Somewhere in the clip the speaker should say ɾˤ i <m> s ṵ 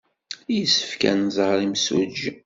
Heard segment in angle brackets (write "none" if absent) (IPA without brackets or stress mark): m